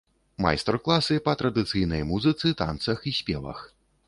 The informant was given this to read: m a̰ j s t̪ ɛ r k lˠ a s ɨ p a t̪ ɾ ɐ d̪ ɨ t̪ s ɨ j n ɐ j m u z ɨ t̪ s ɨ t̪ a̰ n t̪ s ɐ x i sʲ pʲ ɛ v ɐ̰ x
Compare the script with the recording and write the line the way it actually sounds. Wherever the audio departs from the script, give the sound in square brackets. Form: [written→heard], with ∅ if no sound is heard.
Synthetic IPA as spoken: m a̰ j s t̪ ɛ r k lˠ a s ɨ p [a→ɐ] t̪ ɾ ɐ d̪ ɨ t̪ s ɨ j n ɐ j m u z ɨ t̪ s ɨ t̪ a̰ n t̪ s ɐ x i sʲ pʲ ɛ v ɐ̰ x